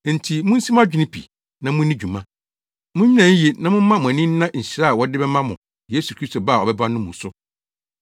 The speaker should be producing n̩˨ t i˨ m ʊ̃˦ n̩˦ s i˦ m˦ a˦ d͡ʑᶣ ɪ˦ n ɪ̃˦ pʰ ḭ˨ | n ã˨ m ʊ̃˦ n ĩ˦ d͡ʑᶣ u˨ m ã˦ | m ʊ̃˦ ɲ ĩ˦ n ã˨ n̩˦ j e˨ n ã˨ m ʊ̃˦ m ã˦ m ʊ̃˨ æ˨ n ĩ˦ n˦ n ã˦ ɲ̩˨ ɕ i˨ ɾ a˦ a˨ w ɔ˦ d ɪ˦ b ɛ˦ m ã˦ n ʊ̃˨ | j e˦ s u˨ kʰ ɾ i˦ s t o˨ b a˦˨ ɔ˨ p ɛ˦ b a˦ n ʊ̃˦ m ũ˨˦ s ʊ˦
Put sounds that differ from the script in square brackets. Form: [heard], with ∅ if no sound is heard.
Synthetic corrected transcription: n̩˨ [tʰ] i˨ m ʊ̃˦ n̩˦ s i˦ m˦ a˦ d͡ʑᶣ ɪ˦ n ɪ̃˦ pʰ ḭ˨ | n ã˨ m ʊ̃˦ n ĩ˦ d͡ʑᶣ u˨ m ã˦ | m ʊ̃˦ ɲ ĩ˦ n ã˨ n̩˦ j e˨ n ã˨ m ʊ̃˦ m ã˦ m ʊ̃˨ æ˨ n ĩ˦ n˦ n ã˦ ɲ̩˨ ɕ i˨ ɾ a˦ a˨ w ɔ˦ d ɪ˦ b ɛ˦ m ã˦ [m] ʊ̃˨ | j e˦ s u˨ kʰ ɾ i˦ s t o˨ b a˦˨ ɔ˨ [b] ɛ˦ b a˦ n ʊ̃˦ m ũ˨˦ s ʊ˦

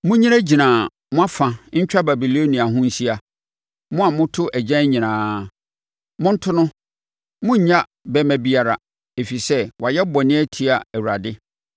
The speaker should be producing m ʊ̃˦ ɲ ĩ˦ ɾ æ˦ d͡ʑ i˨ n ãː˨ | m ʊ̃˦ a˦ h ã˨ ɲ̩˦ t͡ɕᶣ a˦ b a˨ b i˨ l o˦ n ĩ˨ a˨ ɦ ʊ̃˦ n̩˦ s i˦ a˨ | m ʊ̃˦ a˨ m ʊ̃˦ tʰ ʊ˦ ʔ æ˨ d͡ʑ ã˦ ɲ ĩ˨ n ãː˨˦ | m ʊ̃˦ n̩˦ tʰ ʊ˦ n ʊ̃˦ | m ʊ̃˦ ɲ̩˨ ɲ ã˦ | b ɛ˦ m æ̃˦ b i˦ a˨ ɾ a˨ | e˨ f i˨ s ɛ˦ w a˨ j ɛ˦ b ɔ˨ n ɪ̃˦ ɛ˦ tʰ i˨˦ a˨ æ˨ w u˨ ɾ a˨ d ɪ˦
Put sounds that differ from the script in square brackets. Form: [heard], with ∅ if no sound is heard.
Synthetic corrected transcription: m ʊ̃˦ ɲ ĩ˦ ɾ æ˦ d͡ʑ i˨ n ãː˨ | m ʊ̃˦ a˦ [f] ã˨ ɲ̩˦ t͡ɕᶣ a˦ b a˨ b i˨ l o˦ n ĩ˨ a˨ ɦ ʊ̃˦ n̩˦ s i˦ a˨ | m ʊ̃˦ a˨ m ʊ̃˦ tʰ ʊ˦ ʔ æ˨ d͡ʑ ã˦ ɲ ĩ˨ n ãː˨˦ | m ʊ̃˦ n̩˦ tʰ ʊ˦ n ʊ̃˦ | m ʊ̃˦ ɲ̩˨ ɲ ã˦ | b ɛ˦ m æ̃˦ b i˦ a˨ ɾ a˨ | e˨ f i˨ s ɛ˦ w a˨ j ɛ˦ b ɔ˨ n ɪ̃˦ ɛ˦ tʰ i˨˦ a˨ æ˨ w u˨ ɾ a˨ d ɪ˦

